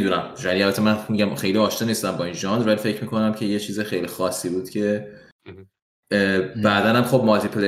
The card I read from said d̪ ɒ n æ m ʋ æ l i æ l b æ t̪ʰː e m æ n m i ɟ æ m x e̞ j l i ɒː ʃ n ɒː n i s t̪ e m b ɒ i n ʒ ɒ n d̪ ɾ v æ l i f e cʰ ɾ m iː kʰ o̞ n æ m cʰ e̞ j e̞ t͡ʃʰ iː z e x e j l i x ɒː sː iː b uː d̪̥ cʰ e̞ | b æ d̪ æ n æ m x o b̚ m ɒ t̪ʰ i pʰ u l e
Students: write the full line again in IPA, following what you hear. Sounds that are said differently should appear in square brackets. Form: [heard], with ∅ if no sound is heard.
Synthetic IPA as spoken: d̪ [u] n æ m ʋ æ l i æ l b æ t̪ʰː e m æ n m i ɟ æ m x e̞ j l i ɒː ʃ n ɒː n i s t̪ [æ] m b ɒ i n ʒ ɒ n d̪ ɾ v æ l i f e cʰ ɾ m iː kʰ o̞ n æ m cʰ e̞ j e̞ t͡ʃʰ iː z e x e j l i x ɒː sː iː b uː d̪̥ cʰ e̞ | b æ d̪ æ n æ m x o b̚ m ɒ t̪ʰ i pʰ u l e